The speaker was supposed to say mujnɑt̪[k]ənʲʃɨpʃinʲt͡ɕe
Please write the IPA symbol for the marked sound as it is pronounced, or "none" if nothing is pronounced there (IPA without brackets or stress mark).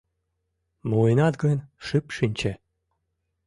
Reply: ɡ